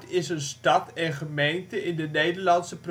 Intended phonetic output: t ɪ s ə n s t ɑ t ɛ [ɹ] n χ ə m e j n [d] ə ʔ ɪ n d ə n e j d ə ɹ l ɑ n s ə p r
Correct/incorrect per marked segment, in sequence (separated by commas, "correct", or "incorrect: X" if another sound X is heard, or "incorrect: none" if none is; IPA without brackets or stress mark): incorrect: none, incorrect: t